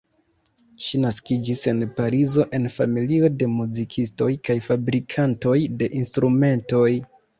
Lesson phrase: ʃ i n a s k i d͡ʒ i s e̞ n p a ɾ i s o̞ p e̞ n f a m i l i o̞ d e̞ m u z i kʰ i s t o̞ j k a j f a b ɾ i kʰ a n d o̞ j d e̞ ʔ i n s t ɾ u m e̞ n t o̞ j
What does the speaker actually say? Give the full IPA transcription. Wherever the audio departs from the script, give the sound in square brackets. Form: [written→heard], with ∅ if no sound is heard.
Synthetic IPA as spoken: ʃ i n a s k i d͡ʒ i s e̞ n p a ɾ i [s→z] o̞ [p→ʔ] e̞ n f a m i l i o̞ d e̞ m u z i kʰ i s t o̞ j k a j f a b ɾ i kʰ a n [d→t] o̞ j d e̞ ʔ i n s t ɾ u m e̞ n t o̞ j